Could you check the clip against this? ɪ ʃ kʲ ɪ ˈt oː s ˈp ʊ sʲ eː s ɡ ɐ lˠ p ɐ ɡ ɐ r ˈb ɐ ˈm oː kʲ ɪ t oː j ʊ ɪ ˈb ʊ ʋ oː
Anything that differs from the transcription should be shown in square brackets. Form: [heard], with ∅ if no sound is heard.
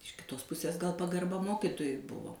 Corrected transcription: ɪ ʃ kʲ ɪ ˈt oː s ˈp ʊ sʲ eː s ɡ ɐ lˠ p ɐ ɡ ɐ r ˈb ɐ ˈm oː kʲ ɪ t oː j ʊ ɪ ˈb ʊ ʋ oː